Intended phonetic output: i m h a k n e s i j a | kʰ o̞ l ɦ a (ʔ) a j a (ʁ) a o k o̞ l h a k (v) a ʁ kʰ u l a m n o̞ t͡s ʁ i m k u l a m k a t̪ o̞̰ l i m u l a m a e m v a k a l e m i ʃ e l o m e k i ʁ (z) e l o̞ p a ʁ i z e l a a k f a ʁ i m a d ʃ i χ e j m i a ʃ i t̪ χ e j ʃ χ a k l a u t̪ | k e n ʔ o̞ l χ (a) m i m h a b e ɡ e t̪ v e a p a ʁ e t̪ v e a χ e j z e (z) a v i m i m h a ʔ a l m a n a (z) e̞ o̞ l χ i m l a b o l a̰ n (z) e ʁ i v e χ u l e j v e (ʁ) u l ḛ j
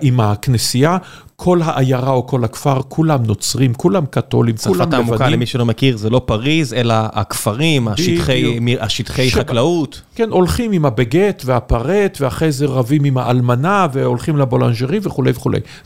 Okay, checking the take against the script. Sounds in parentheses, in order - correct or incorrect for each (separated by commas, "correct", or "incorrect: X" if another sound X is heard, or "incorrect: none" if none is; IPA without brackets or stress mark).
correct, correct, incorrect: f, correct, incorrect: i, incorrect: ʁ, incorrect: v, incorrect: ʒ, incorrect: χ